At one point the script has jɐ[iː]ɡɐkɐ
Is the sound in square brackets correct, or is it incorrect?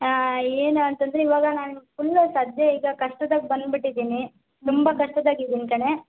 correct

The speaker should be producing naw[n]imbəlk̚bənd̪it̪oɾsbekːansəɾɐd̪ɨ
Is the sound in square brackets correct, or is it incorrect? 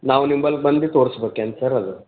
correct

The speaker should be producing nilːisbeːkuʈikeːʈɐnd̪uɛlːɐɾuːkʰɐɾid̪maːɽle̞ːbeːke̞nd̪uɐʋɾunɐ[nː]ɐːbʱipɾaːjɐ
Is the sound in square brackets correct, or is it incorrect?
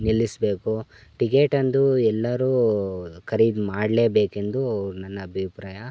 correct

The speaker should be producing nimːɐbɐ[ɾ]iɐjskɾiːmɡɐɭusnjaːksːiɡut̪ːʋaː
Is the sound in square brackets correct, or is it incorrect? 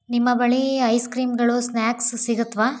incorrect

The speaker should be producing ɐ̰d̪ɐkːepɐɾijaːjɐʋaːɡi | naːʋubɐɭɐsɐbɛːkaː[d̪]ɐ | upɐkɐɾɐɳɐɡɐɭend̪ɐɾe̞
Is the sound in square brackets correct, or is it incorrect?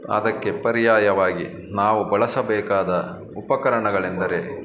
correct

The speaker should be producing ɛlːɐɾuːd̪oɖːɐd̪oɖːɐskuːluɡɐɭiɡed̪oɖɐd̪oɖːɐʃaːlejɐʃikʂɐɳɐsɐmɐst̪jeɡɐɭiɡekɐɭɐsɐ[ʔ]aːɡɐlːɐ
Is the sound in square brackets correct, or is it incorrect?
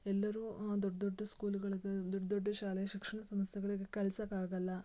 incorrect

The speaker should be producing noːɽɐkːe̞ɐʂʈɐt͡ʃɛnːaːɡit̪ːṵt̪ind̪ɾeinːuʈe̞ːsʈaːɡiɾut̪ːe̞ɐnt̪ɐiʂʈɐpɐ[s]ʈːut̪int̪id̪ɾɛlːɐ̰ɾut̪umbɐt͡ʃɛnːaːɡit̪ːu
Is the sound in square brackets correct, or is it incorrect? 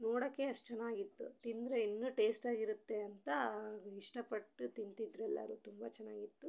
incorrect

